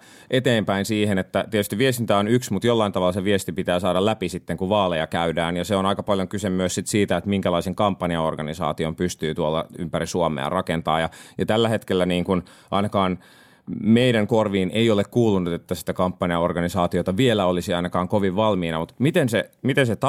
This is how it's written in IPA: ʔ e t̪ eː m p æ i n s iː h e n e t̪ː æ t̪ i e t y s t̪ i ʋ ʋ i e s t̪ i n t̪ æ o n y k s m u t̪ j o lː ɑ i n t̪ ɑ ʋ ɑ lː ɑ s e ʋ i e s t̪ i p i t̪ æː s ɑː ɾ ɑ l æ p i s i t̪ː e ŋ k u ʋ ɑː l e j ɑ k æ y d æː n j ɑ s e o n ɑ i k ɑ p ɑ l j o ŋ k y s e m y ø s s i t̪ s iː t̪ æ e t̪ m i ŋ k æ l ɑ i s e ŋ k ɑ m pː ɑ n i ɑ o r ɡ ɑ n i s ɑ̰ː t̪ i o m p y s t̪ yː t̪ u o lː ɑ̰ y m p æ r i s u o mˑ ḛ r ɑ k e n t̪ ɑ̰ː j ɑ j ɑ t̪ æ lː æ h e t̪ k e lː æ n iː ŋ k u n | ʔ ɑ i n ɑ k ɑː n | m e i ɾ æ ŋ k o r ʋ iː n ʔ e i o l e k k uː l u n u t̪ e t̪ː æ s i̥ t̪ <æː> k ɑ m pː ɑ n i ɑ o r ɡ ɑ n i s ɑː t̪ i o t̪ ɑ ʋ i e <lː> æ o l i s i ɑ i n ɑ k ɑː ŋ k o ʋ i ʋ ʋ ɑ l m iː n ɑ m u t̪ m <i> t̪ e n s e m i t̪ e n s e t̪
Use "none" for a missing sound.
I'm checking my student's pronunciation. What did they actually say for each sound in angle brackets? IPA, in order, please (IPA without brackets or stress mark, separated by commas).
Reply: æ, l, i